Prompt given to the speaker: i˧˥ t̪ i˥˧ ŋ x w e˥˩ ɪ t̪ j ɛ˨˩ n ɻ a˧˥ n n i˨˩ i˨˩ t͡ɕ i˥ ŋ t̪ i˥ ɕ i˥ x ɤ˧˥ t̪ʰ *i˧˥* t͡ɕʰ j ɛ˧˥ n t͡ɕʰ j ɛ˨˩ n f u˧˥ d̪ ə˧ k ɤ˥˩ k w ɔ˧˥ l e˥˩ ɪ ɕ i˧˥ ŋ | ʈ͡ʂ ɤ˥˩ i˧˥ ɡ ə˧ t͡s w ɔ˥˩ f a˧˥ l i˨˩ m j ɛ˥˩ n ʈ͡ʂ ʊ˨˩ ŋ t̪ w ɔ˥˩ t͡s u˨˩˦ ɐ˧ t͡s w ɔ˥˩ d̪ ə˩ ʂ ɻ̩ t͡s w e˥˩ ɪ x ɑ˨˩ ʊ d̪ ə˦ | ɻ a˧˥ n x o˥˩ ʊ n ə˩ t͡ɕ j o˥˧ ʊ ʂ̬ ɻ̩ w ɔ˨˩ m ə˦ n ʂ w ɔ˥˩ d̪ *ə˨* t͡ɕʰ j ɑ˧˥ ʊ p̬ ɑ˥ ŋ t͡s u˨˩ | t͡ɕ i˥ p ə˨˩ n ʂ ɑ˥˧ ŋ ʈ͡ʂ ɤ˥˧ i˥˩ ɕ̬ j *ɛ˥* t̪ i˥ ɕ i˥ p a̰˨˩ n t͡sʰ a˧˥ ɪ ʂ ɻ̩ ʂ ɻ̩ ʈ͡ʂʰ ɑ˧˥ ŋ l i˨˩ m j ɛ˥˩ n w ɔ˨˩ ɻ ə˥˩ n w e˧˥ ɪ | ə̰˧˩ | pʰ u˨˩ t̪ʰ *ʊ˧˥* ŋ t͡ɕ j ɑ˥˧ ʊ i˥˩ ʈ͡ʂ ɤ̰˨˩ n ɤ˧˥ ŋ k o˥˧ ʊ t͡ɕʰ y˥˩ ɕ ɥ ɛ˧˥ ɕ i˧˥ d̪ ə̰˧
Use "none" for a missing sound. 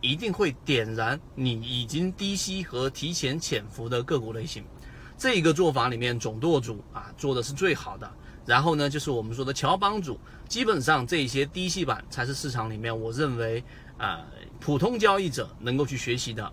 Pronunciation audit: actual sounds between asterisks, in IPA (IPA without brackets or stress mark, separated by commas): i˧˥, ə˨, ɛ˥, ʊ˥